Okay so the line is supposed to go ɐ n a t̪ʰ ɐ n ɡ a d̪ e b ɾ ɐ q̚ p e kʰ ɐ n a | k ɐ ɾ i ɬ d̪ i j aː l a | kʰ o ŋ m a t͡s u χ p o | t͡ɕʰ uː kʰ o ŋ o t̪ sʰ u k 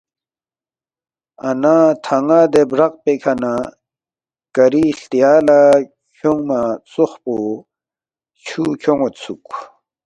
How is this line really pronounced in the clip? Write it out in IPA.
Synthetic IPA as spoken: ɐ n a t̪ʰ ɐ ŋ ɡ a d̪ e b ɾ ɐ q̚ p e kʰ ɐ n a | k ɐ ɾ i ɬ t̪ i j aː l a | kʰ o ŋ m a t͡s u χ p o | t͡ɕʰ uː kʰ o ŋ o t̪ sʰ u k